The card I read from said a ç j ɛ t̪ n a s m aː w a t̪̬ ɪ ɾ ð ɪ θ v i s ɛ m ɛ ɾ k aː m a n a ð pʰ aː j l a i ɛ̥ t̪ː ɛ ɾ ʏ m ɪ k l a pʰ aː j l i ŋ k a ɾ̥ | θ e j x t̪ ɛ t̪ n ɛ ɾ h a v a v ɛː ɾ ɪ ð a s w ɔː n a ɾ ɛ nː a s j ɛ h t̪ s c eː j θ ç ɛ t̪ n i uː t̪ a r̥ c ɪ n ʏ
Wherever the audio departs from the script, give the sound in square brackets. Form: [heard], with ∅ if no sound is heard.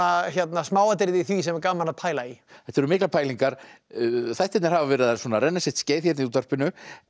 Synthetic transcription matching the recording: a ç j ɛ t̪ n a s m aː w a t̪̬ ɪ ɾ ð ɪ θ v i s ɛ m ɛ ɾ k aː m a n a ð pʰ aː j l a i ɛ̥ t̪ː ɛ ɾ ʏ m ɪ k l a pʰ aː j l i ŋ k a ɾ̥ | θ [a] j [h] t̪ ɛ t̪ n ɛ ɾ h a v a v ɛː ɾ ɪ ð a s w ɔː n a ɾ ɛ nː a s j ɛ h t̪ s c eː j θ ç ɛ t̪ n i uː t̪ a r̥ [p] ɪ n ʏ